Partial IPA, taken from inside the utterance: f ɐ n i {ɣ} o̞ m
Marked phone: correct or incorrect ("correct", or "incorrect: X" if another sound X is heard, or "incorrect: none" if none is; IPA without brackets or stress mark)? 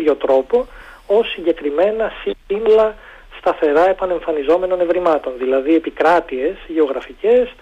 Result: incorrect: z